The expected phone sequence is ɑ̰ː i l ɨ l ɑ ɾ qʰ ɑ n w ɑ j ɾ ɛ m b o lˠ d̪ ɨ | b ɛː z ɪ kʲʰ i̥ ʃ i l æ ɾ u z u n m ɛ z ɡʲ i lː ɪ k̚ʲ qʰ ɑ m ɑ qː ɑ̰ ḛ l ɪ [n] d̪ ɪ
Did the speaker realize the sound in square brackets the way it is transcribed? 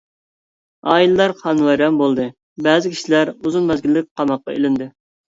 yes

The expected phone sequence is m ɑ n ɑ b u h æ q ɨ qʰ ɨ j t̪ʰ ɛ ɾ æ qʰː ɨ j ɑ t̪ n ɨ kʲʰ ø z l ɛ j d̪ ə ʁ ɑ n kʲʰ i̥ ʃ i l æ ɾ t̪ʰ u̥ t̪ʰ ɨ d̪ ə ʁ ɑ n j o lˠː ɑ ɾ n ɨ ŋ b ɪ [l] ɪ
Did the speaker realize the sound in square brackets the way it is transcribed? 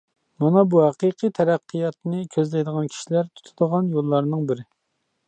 no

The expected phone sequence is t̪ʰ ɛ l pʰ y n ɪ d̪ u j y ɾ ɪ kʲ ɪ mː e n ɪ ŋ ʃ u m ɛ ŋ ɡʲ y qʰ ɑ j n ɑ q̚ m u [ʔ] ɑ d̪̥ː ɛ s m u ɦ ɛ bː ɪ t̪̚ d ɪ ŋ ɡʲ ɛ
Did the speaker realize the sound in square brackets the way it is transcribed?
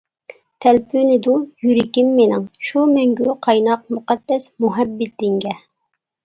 no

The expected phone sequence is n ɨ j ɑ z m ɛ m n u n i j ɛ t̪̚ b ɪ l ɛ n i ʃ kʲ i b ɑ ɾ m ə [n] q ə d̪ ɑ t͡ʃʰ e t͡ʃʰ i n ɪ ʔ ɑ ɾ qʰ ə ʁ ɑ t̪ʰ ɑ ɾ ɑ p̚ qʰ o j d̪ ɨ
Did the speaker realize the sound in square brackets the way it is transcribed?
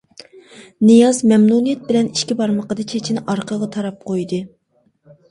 no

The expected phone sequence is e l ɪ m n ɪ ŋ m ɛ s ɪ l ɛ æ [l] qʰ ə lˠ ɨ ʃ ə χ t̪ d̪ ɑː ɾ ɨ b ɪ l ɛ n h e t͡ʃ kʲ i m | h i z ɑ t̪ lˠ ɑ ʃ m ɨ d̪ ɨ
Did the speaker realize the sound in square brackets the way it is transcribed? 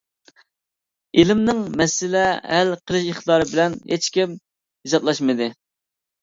yes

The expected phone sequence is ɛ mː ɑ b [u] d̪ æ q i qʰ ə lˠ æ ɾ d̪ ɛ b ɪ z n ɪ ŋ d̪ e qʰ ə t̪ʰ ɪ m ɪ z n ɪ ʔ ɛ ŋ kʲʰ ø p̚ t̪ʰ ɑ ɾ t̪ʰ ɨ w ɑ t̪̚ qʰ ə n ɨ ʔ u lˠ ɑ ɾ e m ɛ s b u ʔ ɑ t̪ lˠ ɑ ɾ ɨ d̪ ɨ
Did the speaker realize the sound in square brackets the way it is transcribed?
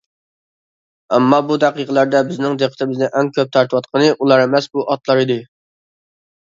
yes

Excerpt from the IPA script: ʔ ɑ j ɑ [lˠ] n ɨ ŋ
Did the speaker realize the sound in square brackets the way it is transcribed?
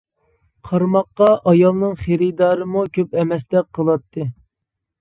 yes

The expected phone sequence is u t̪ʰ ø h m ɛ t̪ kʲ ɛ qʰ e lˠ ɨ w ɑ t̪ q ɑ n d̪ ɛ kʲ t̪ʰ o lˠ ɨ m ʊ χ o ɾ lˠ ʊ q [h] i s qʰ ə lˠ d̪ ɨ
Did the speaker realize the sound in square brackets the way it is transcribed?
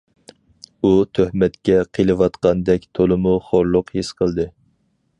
yes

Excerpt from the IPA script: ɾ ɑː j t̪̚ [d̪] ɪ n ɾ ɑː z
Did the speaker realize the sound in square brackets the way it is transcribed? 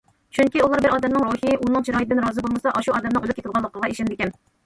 yes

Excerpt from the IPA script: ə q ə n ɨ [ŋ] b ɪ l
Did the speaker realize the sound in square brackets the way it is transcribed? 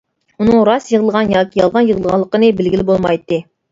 no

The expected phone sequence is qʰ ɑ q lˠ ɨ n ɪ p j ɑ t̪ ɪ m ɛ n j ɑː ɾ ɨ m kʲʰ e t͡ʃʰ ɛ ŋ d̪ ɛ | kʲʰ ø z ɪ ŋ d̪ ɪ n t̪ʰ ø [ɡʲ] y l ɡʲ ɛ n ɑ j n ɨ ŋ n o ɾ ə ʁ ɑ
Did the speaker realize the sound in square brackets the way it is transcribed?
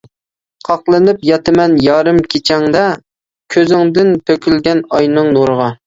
no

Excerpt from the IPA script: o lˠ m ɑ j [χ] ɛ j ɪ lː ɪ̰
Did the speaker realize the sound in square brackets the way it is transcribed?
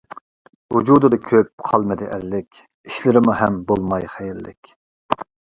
yes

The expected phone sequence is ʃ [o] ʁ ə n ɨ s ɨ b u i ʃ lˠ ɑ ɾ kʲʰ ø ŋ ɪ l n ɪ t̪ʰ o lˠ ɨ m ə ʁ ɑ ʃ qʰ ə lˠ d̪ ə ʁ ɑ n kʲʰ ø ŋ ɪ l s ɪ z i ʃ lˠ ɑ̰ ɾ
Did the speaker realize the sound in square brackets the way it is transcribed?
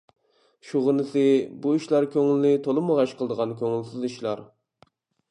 no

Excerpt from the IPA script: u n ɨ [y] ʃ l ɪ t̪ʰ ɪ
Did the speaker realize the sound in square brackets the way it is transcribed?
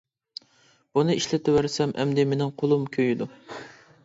no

